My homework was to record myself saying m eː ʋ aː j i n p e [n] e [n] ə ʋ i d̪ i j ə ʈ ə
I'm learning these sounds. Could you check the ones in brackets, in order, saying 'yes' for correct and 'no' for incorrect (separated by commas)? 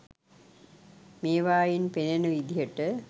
yes, yes